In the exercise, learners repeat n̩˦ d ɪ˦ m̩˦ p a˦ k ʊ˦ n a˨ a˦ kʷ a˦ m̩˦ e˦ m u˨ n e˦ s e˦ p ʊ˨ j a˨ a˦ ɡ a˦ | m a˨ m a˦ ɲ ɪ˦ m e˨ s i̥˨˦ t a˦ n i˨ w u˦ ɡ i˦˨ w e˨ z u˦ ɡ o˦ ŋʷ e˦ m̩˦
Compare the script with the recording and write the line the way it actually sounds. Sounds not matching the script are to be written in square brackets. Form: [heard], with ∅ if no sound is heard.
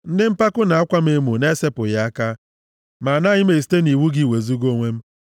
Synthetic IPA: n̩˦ d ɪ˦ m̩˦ p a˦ k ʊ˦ n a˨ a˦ kʷ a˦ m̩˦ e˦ m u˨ n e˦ s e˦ p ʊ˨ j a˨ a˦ [k] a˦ | m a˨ [n] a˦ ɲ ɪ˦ m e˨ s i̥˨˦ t [e˦] n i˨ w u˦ ɡ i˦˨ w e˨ z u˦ ɡ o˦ ŋʷ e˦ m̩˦